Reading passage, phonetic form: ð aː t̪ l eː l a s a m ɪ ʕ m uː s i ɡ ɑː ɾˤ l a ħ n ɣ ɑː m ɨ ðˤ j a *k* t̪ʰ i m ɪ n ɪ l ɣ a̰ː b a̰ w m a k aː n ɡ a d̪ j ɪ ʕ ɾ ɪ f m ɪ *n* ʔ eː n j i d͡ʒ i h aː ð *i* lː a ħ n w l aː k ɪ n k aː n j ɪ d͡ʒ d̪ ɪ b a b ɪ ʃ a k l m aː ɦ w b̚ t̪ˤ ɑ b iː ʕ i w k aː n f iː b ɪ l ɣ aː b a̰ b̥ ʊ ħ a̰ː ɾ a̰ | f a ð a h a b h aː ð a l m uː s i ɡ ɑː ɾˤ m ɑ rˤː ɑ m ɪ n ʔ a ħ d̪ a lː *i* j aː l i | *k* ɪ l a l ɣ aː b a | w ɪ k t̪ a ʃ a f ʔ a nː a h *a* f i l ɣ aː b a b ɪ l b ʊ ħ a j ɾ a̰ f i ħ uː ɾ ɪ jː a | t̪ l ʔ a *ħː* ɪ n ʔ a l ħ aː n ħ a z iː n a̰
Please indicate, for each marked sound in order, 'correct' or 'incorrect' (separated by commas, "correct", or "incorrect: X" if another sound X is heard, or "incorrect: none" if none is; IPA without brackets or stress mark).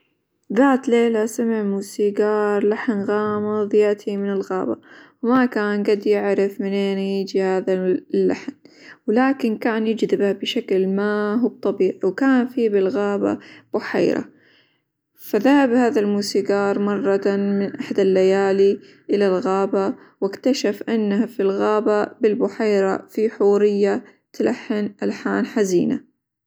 incorrect: ʔ, correct, incorrect: a, incorrect: a, incorrect: ʔ, correct, correct